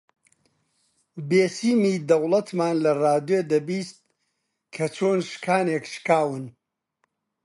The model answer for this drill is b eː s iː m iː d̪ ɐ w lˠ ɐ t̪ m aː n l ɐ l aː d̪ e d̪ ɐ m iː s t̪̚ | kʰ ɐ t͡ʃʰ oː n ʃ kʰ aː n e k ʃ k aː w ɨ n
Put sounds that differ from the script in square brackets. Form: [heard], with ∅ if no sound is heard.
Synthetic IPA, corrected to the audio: b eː s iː m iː d̪ ɐ w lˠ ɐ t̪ m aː n l ɐ [r] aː d̪ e d̪ ɐ [b] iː s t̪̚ | kʰ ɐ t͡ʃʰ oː n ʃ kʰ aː n e k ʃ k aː w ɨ n

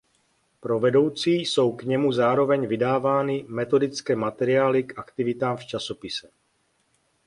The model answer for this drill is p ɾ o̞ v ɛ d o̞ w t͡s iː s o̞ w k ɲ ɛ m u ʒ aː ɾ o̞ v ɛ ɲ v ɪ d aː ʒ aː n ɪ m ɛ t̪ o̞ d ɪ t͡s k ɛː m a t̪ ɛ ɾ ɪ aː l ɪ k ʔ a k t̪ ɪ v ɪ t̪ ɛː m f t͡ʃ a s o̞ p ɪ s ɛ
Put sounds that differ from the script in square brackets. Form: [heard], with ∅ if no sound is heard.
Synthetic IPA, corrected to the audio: p ɾ o̞ v ɛ d o̞ w t͡s iː s o̞ w k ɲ ɛ m u [z] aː ɾ o̞ v ɛ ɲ v ɪ d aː [v] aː n ɪ m ɛ t̪ o̞ d ɪ t͡s k ɛː m a t̪ ɛ ɾ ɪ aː l ɪ k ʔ a k t̪ ɪ v ɪ t̪ [aː] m f t͡ʃ a s o̞ p ɪ s ɛ

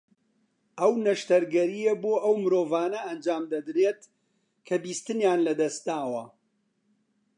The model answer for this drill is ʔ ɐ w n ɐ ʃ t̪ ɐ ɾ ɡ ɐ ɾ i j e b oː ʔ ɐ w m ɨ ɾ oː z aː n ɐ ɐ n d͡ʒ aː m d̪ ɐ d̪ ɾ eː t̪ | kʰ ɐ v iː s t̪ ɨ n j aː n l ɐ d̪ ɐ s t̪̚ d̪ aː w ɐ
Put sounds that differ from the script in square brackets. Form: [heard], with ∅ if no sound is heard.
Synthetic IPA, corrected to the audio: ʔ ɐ w n ɐ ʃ t̪ ɐ ɾ ɡ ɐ ɾ i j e b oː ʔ ɐ w m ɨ ɾ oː [v] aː n ɐ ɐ n d͡ʒ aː m d̪ ɐ d̪ ɾ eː t̪ | kʰ ɐ [b] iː s t̪ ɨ n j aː n l ɐ d̪ ɐ s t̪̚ d̪ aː w ɐ

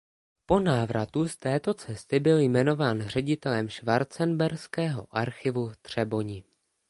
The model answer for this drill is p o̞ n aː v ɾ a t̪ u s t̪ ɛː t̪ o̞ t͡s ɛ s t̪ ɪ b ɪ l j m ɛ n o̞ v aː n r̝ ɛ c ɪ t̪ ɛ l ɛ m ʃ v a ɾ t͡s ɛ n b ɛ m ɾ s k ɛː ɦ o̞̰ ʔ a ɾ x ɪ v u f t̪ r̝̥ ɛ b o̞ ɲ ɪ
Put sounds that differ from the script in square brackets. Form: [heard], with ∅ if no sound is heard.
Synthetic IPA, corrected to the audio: p o̞ n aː v ɾ a t̪ u s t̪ ɛː t̪ o̞ t͡s ɛ s t̪ ɪ b ɪ l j m ɛ n o̞ v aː n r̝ ɛ [ɟ] ɪ t̪ ɛ l ɛ m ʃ v a ɾ t͡s ɛ n b ɛ [∅] ɾ s k ɛː ɦ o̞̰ ʔ a ɾ x ɪ v u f t̪ r̝̥ ɛ b o̞ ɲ ɪ

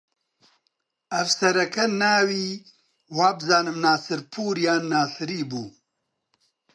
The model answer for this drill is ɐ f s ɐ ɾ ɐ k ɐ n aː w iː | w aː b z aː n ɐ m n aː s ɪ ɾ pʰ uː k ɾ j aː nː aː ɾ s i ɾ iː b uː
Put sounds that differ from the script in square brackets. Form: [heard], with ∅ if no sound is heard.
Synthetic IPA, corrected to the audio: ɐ f s ɐ ɾ ɐ k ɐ n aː w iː | w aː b z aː n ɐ m n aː s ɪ ɾ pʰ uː [∅] ɾ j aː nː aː [∅] s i ɾ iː b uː

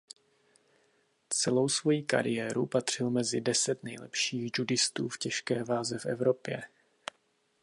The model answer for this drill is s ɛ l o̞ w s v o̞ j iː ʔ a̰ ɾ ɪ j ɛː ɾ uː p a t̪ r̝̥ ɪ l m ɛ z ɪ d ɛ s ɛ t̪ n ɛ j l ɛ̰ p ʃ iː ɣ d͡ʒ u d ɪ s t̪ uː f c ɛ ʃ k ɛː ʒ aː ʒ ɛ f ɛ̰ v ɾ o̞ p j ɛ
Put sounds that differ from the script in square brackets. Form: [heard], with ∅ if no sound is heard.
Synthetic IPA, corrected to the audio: [t͡s] ɛ l o̞ w s v o̞ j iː [k] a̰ ɾ ɪ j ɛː ɾ [u] p a t̪ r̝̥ ɪ l m ɛ z ɪ d ɛ s ɛ t̪ n ɛ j l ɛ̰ p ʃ iː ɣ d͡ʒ u d ɪ s t̪ uː f c ɛ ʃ k ɛː [v] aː [z] ɛ f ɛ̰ v ɾ o̞ p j ɛ

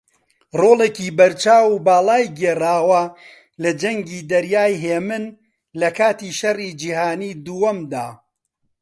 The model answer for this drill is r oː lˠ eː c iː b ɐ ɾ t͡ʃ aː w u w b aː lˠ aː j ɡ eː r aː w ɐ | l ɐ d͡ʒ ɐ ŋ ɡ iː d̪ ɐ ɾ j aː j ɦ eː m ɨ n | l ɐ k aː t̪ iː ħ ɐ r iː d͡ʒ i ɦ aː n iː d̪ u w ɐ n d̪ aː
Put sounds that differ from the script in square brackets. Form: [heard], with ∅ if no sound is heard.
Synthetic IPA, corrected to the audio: r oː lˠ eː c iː b ɐ ɾ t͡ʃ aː w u [∅] b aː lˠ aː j ɡ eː r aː w ɐ | l ɐ d͡ʒ ɐ ŋ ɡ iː d̪ ɐ ɾ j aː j ɦ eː m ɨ n | l ɐ k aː t̪ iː [ʃ] ɐ r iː d͡ʒ i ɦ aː n iː d̪ u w ɐ [m] d̪ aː

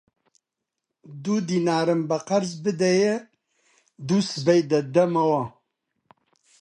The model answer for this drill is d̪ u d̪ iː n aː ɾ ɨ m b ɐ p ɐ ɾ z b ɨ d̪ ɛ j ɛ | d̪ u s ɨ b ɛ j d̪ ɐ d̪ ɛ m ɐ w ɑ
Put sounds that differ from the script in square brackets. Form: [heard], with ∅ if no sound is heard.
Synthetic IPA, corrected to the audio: d̪ u d̪ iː n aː ɾ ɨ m b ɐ [q] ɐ ɾ z b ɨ d̪ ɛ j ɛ | d̪ u s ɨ b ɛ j d̪ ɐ d̪ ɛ m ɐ w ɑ

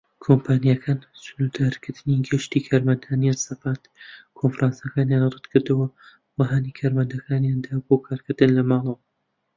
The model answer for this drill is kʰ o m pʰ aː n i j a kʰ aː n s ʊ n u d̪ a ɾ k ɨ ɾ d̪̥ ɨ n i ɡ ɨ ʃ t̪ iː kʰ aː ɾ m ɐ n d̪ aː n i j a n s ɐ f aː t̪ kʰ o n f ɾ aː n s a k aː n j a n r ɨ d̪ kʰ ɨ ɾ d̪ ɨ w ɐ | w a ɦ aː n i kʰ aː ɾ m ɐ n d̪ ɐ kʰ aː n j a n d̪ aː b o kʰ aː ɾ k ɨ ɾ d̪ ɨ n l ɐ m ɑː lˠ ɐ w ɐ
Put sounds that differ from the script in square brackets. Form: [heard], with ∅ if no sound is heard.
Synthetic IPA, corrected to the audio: kʰ o m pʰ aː n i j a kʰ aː n s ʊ n u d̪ a ɾ k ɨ ɾ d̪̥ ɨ n i ɡ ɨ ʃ t̪ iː kʰ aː ɾ m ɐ n d̪ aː n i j a n s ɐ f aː t̪ kʰ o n f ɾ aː n s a k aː n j a n r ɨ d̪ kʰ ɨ ɾ d̪ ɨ w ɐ | w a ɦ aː n i kʰ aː ɾ m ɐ n d̪ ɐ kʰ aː n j a n d̪ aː b o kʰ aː ɾ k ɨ ɾ d̪ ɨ n l ɐ m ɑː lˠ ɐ w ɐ

